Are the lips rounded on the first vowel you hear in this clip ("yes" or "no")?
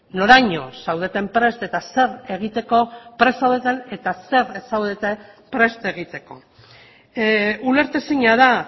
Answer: yes